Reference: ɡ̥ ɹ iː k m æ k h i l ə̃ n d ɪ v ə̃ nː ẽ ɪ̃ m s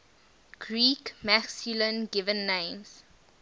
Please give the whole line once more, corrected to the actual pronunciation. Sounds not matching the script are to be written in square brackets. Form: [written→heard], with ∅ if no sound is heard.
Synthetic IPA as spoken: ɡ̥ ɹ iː k m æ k [h→s] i l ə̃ n [d→ɡ] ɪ v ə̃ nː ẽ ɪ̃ m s